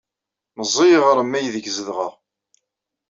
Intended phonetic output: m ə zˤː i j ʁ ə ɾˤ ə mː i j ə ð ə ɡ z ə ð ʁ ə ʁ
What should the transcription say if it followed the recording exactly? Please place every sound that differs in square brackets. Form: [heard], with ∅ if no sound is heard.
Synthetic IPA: m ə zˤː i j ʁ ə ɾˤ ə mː [æ] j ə ð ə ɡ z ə ð ʁ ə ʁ